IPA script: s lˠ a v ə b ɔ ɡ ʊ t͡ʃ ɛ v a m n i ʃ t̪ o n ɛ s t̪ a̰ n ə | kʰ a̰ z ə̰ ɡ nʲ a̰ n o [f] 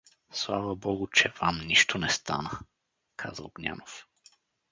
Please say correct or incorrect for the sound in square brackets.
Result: correct